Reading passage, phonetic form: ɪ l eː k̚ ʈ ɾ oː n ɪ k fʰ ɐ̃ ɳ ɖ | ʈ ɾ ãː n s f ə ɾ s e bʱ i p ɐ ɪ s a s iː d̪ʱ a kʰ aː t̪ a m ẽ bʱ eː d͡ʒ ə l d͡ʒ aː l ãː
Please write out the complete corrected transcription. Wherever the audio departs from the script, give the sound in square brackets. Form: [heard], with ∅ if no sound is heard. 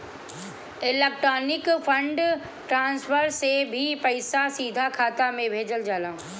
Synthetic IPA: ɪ l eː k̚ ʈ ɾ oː n ɪ k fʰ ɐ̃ ɳ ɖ | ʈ ɾ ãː n s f ə ɾ s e bʱ i p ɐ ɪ s a s iː d̪ʱ a kʰ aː t̪ a m ẽ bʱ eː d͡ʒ ə l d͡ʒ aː l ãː